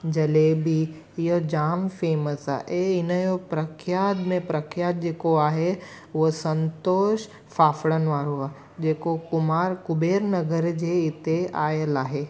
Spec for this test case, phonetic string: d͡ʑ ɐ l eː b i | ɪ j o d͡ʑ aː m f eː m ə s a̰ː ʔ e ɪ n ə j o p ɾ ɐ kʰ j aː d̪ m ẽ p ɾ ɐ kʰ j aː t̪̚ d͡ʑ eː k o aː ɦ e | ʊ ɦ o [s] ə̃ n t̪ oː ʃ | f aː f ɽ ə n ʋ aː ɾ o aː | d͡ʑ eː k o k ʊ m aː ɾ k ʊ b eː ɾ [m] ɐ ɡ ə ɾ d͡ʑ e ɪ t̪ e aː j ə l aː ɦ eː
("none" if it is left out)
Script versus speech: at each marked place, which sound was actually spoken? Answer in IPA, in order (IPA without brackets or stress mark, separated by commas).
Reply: s, n